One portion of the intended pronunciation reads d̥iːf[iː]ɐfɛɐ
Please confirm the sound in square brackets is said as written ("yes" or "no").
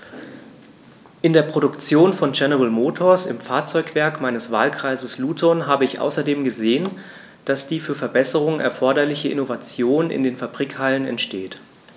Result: no